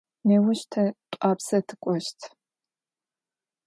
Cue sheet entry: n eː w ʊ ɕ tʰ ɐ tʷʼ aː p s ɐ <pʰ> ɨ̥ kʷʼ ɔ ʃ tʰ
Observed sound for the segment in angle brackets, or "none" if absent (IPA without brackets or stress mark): tʰ